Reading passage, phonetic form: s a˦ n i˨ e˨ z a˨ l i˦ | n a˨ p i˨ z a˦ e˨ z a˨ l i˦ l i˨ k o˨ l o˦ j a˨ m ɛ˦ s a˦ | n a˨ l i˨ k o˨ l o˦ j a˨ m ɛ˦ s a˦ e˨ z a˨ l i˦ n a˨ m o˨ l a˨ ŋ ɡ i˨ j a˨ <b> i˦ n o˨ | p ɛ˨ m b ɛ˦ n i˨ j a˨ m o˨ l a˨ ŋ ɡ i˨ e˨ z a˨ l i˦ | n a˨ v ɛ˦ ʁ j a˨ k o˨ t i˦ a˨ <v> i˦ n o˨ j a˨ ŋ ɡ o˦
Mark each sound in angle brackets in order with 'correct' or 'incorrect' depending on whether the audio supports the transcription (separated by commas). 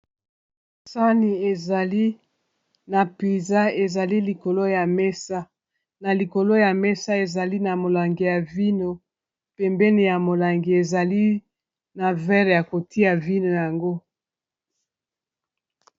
incorrect, correct